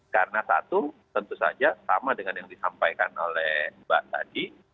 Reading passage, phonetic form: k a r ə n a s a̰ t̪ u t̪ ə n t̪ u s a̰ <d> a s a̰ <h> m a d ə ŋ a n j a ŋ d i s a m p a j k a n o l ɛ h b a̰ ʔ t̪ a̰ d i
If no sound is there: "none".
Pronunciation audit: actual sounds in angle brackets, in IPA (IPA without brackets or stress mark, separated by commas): d͡ʒ, none